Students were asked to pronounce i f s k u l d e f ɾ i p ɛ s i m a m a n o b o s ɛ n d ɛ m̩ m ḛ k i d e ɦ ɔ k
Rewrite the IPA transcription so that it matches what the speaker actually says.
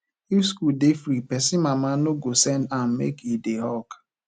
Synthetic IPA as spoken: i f s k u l d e f ɾ i p ɛ s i m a m a n o ɡ o s ɛ n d a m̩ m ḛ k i d e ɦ ɔ k